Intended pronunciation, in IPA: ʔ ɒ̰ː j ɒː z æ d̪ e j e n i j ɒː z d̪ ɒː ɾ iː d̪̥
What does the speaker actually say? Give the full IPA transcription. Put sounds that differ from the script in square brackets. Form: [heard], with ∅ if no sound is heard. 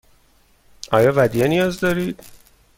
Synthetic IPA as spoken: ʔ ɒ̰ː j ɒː [v] æ d̪ [i] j e n i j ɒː z d̪ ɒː ɾ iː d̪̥